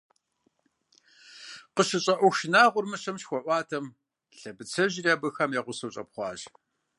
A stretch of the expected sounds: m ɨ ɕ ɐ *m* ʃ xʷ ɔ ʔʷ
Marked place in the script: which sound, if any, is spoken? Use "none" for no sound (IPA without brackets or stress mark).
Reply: m